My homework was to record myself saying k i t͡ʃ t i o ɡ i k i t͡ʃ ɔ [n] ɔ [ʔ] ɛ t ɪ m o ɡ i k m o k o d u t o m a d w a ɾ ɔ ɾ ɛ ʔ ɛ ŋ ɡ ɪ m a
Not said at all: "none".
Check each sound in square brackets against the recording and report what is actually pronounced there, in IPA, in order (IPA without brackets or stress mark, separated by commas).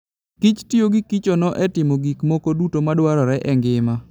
n, ʔ